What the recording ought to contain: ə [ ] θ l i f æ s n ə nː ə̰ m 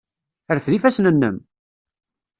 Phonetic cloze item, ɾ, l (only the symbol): ɾ